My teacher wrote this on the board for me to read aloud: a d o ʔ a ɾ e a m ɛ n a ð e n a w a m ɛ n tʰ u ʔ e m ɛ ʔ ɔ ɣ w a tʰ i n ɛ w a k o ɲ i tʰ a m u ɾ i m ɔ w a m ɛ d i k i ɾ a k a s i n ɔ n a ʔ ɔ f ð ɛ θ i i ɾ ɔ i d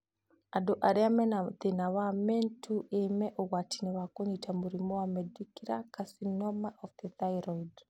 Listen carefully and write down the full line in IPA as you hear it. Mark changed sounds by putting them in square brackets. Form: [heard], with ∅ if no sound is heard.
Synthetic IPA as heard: a d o ʔ a ɾ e a m ɛ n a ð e n a w a m ɛ n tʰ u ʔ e m ɛ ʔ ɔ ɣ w a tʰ i n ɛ w a k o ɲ i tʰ a m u ɾ i m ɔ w a m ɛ d i k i ɾ a k a s i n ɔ [m] a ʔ ɔ f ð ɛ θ [a] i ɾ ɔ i d